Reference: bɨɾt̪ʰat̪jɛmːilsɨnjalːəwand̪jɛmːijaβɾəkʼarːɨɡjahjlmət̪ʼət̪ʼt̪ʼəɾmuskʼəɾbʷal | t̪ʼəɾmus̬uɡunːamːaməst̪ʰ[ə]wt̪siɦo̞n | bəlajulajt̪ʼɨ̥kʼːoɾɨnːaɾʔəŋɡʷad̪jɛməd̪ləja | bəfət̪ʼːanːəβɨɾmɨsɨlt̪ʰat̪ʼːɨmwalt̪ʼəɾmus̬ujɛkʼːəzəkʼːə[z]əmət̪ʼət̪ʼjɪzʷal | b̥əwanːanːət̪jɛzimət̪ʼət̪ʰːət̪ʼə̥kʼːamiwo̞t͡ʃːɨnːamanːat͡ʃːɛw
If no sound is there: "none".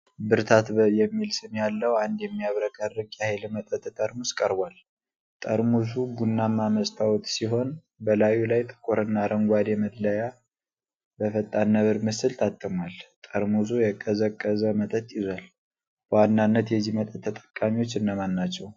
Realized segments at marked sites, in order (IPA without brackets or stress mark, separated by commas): a, z